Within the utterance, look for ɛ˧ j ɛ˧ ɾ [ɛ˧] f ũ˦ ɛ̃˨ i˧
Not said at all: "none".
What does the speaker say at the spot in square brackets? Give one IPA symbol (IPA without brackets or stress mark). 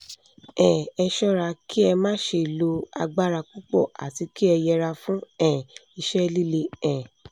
a˧